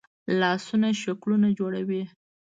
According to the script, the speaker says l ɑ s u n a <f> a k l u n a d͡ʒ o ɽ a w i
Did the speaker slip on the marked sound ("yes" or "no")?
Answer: yes